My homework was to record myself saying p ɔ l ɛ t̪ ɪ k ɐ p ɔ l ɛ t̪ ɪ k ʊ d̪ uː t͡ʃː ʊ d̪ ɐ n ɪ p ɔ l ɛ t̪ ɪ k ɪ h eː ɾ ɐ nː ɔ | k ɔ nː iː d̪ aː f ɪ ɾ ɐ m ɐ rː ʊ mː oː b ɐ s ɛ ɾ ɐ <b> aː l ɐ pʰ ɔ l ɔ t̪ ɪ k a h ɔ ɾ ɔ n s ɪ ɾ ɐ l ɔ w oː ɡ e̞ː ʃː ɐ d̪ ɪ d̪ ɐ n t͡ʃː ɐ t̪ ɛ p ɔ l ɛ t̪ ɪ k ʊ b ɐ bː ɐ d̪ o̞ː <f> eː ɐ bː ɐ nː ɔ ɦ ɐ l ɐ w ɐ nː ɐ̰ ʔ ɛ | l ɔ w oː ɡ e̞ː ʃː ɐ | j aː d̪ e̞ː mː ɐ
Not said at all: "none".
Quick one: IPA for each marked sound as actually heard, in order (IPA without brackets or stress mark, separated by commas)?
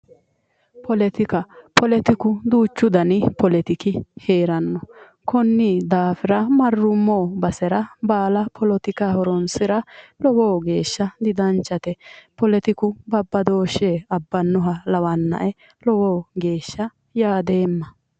b, ʃ